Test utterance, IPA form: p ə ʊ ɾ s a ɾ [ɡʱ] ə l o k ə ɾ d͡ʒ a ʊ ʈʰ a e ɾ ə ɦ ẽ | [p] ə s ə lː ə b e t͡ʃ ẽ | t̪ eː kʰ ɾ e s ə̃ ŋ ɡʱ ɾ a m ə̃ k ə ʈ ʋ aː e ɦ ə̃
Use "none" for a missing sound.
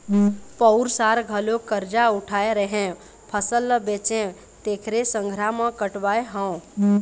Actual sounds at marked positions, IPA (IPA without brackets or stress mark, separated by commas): ɡʱ, pʰ